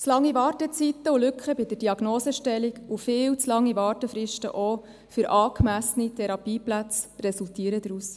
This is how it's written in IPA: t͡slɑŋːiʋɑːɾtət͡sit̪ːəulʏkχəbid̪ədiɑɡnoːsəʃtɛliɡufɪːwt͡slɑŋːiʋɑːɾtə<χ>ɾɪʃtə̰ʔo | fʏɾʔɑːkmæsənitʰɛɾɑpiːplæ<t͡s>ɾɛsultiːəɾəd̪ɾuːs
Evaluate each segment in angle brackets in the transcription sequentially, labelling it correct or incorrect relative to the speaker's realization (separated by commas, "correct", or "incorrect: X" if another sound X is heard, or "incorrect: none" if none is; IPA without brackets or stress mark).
incorrect: f, correct